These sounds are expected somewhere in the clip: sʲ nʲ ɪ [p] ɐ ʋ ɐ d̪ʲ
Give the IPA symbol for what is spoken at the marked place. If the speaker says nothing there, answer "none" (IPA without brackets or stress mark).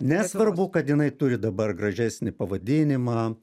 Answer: p